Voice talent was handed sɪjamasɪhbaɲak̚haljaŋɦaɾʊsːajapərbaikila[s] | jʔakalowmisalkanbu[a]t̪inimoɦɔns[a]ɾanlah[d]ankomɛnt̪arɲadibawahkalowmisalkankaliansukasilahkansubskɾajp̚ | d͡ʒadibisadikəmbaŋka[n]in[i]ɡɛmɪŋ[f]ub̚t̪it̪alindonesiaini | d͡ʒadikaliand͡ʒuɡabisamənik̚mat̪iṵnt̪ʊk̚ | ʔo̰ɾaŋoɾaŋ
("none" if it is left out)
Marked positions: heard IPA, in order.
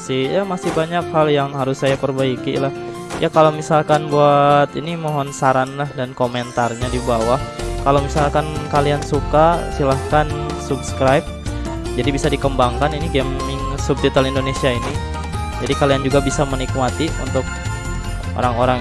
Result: h, a, a, d, n, i, s

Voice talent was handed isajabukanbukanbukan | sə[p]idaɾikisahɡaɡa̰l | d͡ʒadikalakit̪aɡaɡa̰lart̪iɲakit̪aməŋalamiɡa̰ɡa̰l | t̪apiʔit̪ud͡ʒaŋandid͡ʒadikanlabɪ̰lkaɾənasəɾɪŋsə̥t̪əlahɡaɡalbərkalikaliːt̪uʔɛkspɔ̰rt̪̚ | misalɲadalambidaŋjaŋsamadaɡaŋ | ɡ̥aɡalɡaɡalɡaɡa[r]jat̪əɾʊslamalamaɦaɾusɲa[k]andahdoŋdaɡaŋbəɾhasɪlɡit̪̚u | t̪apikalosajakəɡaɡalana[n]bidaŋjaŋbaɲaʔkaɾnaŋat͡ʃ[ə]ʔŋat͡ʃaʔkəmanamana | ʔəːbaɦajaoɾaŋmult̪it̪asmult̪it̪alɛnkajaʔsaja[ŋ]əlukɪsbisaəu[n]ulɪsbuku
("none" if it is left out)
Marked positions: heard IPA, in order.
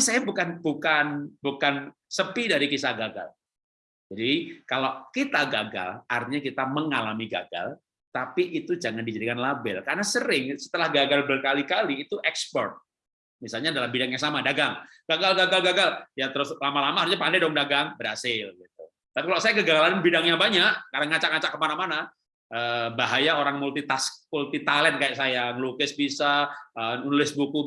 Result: p, l, p, n, a, ŋ, n

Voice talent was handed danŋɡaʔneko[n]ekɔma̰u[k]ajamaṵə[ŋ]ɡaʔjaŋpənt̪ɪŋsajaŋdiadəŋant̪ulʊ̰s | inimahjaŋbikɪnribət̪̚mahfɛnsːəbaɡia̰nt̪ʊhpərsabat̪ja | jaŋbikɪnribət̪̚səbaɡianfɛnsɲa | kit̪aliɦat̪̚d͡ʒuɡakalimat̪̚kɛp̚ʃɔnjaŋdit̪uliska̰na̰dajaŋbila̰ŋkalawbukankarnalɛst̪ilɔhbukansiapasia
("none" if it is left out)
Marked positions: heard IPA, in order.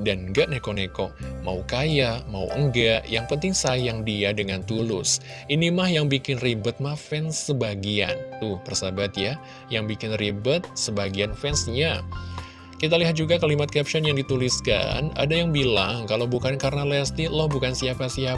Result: n, k, ŋ

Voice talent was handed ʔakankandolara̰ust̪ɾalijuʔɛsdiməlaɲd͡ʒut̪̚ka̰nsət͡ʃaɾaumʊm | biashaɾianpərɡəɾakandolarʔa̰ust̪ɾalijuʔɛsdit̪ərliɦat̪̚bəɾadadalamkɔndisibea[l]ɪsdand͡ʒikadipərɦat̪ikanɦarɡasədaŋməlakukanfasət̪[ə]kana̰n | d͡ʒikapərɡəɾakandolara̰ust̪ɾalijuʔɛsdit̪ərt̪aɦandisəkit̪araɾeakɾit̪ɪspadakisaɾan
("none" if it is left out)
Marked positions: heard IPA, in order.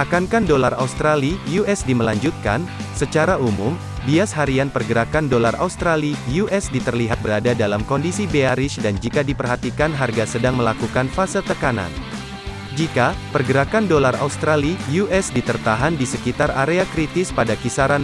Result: ɾ, ə

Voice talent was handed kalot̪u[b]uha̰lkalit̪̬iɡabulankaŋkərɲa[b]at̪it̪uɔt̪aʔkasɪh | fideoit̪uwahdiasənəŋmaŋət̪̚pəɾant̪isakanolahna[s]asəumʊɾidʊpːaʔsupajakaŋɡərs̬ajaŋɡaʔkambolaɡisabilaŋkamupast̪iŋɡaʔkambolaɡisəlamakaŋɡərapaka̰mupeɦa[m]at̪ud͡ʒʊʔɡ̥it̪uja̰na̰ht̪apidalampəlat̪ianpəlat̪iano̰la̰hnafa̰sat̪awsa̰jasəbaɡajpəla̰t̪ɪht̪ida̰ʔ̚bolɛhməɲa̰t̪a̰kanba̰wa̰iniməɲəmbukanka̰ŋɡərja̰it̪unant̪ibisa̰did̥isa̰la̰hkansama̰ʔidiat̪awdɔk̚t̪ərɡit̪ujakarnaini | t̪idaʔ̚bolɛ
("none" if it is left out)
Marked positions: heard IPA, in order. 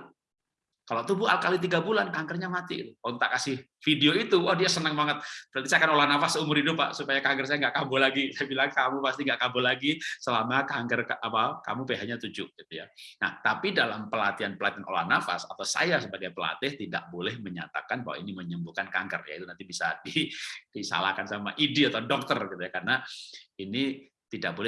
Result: b, m, f, ɲ

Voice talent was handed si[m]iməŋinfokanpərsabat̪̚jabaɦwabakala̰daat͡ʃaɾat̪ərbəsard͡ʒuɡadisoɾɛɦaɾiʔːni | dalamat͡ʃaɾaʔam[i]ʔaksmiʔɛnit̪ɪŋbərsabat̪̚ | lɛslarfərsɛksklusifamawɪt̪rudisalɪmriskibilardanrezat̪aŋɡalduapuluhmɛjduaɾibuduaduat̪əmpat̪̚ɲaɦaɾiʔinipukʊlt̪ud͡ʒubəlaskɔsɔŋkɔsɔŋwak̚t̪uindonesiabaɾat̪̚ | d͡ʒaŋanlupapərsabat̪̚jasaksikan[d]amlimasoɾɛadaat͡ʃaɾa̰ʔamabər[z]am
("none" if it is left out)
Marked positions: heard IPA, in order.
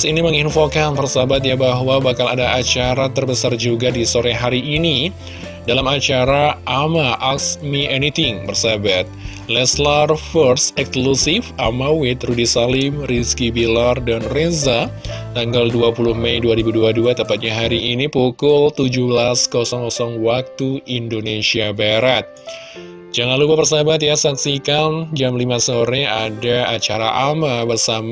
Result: n, a, d͡ʒ, s

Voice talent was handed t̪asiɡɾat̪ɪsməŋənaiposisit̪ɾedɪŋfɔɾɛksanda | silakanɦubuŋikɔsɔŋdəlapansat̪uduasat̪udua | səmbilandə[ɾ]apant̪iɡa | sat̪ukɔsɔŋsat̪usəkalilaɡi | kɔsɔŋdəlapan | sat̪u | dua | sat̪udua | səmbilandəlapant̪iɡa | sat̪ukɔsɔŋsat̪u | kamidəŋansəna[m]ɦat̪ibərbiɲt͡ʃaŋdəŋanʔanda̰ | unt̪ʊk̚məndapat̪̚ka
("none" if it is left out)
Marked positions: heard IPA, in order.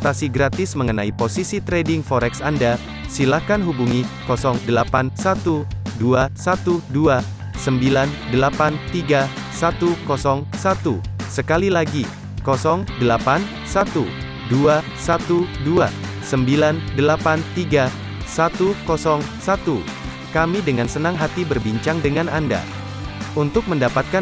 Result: l, ŋ

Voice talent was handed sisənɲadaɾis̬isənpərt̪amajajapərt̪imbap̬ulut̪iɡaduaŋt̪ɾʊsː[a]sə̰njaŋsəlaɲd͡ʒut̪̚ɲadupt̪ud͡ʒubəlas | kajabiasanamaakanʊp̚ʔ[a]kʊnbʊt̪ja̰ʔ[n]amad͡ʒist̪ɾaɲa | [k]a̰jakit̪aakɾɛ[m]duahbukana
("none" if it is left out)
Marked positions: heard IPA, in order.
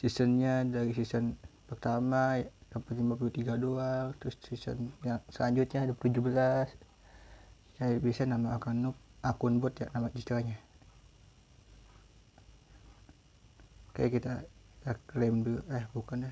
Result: i, a, n, k, m

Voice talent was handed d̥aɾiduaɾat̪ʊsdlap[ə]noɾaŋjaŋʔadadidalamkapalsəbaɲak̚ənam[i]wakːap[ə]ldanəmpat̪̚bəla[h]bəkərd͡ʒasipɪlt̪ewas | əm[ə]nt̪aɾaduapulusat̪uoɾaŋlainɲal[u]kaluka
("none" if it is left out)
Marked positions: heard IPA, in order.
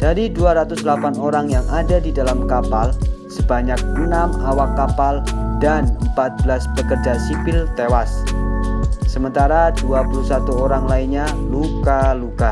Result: a, a, a, s, ə, u

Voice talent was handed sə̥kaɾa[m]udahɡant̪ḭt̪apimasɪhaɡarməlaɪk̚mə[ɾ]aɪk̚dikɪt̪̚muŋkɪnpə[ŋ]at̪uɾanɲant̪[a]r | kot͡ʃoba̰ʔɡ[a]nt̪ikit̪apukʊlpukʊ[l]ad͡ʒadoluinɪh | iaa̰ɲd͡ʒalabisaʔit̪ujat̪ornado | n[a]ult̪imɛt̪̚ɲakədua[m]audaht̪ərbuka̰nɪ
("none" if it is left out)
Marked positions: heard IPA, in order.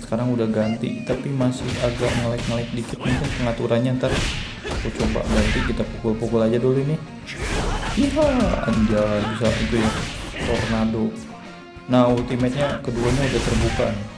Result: ŋ, l, ŋ, a, a, l, a, ɲ

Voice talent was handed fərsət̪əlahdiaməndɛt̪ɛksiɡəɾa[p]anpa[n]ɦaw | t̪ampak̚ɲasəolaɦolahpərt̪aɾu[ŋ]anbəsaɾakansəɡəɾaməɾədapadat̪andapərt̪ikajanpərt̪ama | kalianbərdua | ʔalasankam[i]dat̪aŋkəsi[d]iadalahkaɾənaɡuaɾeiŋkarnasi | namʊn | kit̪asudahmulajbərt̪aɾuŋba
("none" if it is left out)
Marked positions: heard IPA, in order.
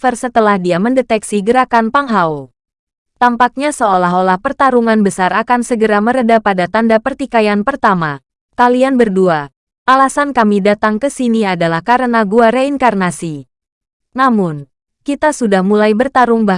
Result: k, ŋ, ŋ, i, n

